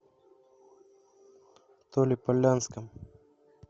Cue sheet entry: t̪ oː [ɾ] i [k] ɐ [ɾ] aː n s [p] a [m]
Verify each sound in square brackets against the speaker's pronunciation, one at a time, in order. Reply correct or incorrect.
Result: incorrect: l, incorrect: p, incorrect: l, incorrect: k, correct

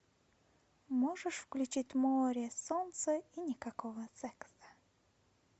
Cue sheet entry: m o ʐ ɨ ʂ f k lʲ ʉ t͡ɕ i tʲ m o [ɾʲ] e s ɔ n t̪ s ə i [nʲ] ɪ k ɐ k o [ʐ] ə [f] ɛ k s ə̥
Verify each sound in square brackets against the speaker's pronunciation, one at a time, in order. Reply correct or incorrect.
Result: correct, correct, incorrect: v, incorrect: s

